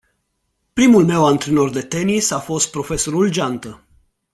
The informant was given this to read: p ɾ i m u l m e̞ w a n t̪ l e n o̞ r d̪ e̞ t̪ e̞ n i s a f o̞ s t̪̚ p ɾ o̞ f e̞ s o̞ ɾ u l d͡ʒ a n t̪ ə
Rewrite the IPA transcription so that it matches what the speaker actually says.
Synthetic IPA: p ɾ i m u l m e̞ w a n t̪ ɾ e n o̞ r d̪ e̞ t̪ e̞ n i s a f o̞ s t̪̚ p ɾ o̞ f e̞ s o̞ ɾ u l d͡ʒ a n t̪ ə